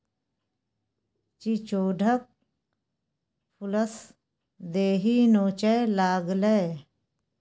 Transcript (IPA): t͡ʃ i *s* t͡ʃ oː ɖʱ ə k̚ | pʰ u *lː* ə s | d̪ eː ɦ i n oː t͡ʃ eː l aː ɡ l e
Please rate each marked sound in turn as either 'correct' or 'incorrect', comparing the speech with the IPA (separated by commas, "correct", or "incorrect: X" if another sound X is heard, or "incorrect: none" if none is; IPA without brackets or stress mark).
incorrect: none, incorrect: l